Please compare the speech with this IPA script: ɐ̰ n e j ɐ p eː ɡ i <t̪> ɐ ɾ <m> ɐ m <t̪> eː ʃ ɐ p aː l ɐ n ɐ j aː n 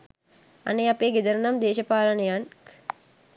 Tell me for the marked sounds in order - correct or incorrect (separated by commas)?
incorrect, incorrect, incorrect